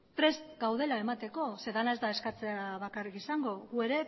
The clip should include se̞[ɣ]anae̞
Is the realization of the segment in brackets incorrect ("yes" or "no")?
yes